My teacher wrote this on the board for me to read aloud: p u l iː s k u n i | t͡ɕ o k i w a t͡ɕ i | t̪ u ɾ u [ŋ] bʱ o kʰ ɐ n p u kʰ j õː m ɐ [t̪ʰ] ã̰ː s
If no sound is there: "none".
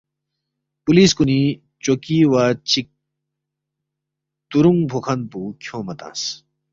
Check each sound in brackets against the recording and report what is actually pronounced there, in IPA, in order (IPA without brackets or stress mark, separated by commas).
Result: ŋ, t̪